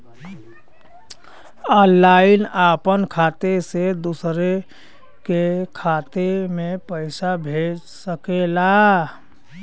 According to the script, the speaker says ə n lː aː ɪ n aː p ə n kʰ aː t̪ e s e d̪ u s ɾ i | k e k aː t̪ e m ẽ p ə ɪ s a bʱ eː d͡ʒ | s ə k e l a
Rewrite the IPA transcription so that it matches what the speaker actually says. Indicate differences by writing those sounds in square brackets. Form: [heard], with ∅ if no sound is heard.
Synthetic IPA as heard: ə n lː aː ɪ n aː p ə n kʰ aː t̪ e s e d̪ u s ɾ [e] | k e [kʰ] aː t̪ e m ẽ p ə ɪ s a bʱ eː d͡ʒ | s ə k e l a